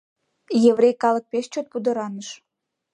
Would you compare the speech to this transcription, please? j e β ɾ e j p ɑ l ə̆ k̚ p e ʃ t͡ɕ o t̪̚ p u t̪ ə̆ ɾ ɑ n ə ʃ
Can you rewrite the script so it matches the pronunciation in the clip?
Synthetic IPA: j e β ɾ e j k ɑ l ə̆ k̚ p e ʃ t͡ɕ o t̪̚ p u d̪ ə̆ ɾ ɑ n ə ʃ

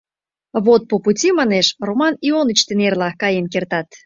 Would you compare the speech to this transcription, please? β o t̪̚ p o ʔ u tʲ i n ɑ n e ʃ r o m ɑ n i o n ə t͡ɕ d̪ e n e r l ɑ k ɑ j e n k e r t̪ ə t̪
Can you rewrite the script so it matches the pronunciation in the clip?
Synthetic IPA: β o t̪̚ p o p u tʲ i m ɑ n e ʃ r o m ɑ n i o n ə t͡ɕ t̪ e n e r l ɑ k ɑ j e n k e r t̪ ɑ t̪

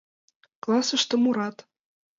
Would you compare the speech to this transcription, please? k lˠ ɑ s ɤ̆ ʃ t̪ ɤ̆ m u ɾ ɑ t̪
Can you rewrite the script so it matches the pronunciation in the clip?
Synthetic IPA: k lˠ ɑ s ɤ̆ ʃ t̪ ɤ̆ m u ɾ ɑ t̪

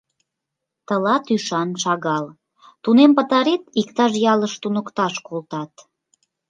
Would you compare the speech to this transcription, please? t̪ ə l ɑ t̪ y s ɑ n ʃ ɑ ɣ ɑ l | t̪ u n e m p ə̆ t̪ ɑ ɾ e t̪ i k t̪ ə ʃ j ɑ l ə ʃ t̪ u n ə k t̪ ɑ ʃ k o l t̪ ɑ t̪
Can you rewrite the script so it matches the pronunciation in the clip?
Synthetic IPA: t̪ ə l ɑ t̪ y ʃ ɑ n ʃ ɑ ɣ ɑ l | t̪ u n e m p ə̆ t̪ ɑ ɾ e t̪ i k t̪ ɑ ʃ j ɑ l ə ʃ t̪ u n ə k t̪ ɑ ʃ k o l t̪ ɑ t̪

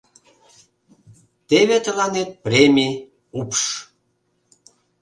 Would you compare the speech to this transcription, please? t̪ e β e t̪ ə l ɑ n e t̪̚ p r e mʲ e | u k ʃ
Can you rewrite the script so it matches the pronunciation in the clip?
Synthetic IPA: t̪ e β e t̪ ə l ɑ n e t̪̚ p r e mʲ i | u p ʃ

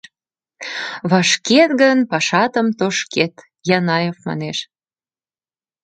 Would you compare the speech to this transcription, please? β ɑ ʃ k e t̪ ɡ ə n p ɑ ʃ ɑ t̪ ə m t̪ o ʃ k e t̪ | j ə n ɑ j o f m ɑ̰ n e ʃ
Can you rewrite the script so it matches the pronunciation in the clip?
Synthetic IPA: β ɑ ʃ k e t̪ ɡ ə n p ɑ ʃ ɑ t̪ ə m t̪ o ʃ k e t̪ | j ɑ n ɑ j o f m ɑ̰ n e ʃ

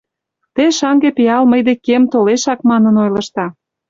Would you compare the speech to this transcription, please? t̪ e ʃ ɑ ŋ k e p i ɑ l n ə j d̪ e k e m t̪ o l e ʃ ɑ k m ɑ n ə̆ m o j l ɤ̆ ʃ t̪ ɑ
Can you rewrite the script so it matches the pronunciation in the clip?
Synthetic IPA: t̪ e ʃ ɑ ŋ ɡ e p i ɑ l m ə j d̪ e k e m t̪ o l e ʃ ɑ k m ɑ n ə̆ n o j l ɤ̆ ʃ t̪ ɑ

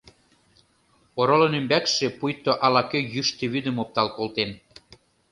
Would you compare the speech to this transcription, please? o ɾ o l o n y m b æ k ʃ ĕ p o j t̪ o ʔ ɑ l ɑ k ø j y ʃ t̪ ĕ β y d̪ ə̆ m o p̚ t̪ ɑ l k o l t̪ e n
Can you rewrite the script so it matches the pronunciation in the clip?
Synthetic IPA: o ɾ o l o n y m b æ k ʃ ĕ p u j t̪ o ʔ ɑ l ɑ k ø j y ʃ t̪ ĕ β y d̪ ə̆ m o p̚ t̪ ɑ l k o l t̪ e n

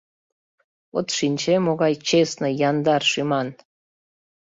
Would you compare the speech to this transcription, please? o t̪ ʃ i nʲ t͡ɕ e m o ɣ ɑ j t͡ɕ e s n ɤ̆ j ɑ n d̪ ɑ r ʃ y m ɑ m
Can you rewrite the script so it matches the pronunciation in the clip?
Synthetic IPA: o t̪ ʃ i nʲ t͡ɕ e m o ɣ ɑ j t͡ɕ e s n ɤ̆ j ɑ n d̪ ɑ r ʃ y m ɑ n

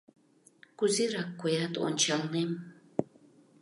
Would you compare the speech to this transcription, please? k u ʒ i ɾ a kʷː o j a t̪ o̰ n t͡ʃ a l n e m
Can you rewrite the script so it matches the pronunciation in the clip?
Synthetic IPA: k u z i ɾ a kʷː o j a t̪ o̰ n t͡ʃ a l n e m

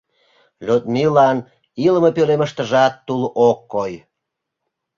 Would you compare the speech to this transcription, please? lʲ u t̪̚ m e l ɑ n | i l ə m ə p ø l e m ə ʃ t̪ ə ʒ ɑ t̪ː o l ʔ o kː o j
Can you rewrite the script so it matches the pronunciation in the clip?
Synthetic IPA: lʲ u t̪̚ m i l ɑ n | i l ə m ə p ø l e m ə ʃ t̪ ə ʒ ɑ t̪ː u l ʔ o kː o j

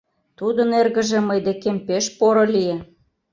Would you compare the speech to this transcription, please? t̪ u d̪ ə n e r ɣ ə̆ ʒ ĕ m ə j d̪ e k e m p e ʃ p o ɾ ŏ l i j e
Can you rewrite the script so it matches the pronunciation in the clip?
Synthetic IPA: t̪ u d̪ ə n e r ɣ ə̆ ʒ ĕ m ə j d̪ e k e m p e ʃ p o ɾ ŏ l i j e

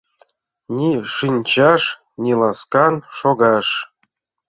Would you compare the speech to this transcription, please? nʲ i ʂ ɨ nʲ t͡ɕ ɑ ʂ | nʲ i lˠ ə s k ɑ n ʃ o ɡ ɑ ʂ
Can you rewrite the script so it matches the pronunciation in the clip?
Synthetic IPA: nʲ i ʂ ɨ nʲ t͡ɕ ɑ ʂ | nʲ i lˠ ɑ s k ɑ n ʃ o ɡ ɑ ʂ

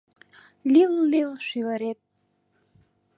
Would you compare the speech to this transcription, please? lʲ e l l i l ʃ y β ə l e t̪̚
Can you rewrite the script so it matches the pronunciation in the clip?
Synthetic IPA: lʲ i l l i l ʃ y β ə ɾ e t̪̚

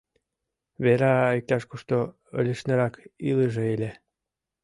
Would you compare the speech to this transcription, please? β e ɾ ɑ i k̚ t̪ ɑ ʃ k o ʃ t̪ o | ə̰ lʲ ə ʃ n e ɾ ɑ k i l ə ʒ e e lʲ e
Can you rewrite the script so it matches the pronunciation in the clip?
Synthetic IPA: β e ɾ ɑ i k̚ t̪ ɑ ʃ k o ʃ t̪ o | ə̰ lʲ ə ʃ n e ɾ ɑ k i l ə ʒ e e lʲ e

